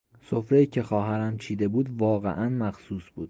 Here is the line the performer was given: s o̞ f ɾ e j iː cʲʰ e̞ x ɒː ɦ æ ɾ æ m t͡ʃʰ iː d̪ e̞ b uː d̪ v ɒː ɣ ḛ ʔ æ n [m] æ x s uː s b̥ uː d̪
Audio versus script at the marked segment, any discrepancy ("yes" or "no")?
no